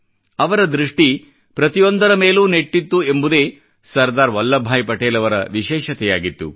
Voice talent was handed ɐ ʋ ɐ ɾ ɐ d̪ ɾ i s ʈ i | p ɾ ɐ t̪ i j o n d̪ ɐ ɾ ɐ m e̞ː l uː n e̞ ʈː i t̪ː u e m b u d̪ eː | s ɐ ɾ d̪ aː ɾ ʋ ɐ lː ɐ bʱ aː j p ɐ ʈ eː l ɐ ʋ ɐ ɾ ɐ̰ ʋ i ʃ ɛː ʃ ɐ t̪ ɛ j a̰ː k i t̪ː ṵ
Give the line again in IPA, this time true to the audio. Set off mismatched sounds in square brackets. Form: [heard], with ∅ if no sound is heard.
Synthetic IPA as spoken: ɐ ʋ ɐ ɾ ɐ d̪ ɾ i [ʂ] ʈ i | p ɾ ɐ t̪ i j o n d̪ ɐ ɾ ɐ m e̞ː l uː n e̞ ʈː i t̪ː u e m b u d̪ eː | s ɐ ɾ d̪ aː ɾ ʋ ɐ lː ɐ bʱ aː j p ɐ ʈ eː l ɐ ʋ ɐ ɾ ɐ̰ ʋ i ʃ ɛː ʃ ɐ t̪ ɛ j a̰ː [ɡ] i t̪ː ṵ